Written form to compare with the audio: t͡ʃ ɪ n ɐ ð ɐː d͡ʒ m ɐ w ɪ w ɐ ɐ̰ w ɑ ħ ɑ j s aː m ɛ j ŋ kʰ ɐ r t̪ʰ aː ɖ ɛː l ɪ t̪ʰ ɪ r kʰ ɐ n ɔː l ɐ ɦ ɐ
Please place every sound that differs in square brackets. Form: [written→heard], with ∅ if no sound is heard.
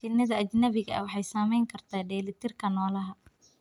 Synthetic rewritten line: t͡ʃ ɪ n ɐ ð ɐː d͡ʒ [m→n] ɐ [w→β] ɪ [w→ɣ] ɐ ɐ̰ w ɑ ħ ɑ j s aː m ɛ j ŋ kʰ ɐ r t̪ʰ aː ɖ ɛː l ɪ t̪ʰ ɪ r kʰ ɐ n ɔː l ɐ ɦ ɐ